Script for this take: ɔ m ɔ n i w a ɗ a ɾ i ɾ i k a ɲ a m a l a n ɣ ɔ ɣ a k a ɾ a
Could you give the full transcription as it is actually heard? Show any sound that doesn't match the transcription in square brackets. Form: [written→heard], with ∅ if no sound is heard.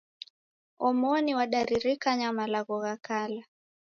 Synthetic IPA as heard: ɔ m ɔ n i w a ɗ a ɾ i ɾ i k a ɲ a m a l a [n→∅] ɣ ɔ ɣ a k a [ɾ→l] a

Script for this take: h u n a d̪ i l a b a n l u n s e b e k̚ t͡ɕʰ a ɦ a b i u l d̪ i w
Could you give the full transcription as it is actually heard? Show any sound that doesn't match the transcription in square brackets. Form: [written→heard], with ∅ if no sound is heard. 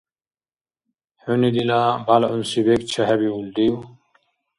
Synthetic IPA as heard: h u n [a→i] d̪ i l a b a [n→∅] l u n s [e→i] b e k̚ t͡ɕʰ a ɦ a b i u l d̪ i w

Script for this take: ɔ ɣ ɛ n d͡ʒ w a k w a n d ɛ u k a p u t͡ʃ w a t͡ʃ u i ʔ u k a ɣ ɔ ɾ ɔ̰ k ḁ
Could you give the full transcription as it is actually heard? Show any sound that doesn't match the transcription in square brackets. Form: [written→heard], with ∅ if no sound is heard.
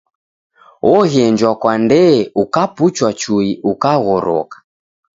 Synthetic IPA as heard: ɔ ɣ ɛ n d͡ʒ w a k w a n d ɛ u k a p u t͡ʃ w a t͡ʃ u i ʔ u k a ɣ ɔ ɾ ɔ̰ k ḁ

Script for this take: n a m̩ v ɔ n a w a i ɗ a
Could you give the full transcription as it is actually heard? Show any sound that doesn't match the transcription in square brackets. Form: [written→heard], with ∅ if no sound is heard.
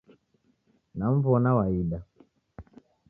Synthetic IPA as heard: n a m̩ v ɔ n a w a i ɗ a

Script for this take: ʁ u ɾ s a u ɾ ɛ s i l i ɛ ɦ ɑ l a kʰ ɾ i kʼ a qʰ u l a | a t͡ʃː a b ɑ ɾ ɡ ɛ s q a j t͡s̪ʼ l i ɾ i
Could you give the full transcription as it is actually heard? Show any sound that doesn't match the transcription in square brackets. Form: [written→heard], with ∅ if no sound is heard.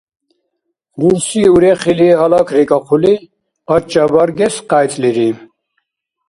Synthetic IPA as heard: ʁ u ɾ s [a→i] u ɾ ɛ [s→χ] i l i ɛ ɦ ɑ l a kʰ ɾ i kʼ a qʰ u l [a→i] | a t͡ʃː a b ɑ ɾ ɡ ɛ s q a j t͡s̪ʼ l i ɾ i

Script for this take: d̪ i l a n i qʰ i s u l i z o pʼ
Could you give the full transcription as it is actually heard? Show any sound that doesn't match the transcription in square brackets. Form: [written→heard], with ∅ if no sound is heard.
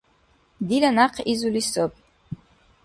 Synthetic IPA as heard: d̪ i l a n [i→a] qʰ i [s→z] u l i [z→s] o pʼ

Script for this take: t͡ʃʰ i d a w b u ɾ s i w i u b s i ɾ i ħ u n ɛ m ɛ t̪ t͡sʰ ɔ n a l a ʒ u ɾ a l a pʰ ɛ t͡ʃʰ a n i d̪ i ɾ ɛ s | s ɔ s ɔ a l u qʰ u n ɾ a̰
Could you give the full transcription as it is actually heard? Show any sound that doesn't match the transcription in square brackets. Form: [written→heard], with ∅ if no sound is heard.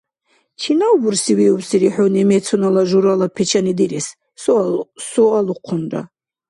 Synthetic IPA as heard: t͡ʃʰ i [d→n] a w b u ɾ s i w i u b s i ɾ i ħ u n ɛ m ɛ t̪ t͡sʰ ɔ n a l a ʒ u ɾ a l a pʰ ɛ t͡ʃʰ a n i d̪ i ɾ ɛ s | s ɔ s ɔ a l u qʰ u n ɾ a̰

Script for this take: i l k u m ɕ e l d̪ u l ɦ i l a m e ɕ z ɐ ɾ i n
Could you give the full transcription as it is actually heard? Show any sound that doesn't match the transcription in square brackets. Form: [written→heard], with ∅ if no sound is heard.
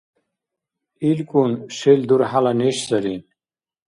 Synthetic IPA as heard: i l k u [m→n] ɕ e l d̪ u [l→ɾ] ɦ [i→a] l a [m→n] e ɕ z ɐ ɾ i n

